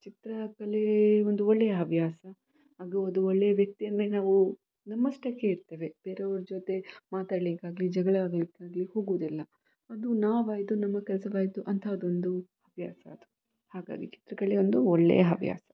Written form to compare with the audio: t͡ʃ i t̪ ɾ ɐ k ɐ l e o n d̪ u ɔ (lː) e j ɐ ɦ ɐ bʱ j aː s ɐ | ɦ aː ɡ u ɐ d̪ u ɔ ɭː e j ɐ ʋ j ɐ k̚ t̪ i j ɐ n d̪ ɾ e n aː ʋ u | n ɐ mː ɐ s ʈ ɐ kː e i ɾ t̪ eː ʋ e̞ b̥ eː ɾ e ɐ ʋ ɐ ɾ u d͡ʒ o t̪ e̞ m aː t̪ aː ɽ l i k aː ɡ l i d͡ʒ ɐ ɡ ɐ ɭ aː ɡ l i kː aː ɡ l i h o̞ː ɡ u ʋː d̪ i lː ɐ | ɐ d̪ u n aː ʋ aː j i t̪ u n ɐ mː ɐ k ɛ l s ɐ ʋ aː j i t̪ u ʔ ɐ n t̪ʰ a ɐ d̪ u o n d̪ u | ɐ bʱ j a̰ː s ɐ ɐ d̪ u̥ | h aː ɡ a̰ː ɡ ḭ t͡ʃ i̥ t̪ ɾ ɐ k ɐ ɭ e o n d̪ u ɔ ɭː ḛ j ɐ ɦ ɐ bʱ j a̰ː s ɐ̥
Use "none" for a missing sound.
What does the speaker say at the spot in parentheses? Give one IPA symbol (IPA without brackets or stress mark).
ɭː